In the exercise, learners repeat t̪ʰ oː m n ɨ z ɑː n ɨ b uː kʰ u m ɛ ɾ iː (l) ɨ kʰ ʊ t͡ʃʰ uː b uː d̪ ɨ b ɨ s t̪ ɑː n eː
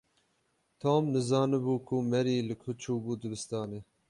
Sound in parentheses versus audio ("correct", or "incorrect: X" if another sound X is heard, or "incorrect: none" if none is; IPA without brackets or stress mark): correct